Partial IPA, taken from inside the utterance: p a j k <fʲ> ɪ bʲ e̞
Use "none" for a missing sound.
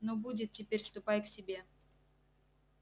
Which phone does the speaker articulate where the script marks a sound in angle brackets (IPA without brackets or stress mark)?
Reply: sʲ